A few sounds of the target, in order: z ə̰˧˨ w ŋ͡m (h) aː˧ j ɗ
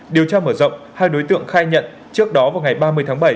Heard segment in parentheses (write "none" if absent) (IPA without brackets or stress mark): h